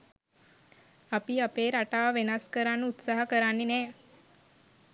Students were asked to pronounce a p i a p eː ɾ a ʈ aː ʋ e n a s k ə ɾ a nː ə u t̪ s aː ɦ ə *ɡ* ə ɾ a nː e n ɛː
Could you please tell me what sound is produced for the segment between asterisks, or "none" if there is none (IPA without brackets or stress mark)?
k